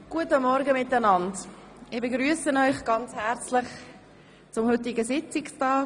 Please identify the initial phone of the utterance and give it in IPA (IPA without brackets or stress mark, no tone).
ɡ̥